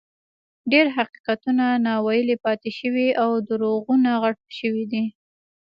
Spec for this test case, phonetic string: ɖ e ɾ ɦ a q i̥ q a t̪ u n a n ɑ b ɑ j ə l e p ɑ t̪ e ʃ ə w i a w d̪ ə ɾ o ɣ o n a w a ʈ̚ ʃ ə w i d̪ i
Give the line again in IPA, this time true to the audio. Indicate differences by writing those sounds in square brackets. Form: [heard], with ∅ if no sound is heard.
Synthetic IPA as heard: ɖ e ɾ ɦ a q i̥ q a t̪ u n a n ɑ [w] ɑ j ə l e p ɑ t̪ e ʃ ə w i a w d̪ ə ɾ o ɣ [u] n a [ɣ] a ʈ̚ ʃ ə w i d̪ i